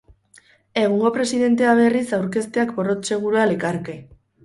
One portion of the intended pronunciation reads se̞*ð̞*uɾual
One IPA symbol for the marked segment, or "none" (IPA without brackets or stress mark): ɣ̞